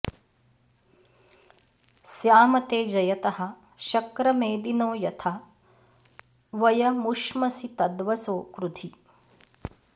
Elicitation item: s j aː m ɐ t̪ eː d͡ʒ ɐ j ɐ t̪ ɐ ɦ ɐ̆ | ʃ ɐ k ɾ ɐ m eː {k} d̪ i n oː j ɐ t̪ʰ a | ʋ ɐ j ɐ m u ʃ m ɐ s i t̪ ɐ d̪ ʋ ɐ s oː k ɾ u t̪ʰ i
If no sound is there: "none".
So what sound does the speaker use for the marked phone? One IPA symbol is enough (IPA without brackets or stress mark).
none